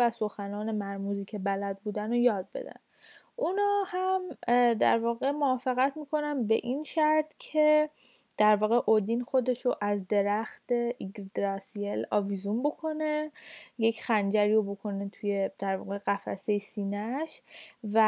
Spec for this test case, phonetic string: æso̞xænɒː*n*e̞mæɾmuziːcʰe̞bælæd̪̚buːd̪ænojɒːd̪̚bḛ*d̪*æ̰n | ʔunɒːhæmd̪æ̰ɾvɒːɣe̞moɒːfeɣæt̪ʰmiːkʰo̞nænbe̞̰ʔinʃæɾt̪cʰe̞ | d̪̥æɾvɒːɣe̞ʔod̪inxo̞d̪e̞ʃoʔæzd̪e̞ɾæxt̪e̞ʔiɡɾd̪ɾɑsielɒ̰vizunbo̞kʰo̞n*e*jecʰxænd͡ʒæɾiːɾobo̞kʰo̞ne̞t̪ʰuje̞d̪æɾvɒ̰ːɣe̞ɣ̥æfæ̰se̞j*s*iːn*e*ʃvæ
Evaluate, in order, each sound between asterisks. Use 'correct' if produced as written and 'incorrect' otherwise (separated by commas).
correct, correct, correct, correct, incorrect